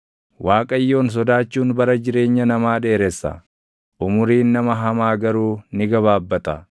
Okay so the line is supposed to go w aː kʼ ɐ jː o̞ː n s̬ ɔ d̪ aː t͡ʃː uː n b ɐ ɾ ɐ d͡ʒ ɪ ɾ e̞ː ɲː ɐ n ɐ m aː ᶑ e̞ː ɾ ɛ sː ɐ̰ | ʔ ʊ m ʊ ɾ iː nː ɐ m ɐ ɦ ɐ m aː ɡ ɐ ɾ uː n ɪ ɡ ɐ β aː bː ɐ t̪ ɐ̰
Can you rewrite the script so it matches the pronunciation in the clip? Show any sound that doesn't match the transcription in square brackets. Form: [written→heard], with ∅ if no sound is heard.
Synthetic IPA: w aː kʼ ɐ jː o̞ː n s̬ ɔ d̪ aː t͡ʃː uː n b ɐ ɾ ɐ d͡ʒ ɪ ɾ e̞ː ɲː ɐ n ɐ m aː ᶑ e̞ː ɾ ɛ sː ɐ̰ | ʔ ʊ m ʊ ɾ iː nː ɐ m ɐ ɦ ɐ m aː ɡ ɐ ɾ uː n ɪ ɡ ɐ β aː bː ɐ t̪ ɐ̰